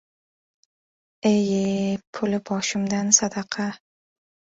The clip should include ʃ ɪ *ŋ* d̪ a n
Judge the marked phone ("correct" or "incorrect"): incorrect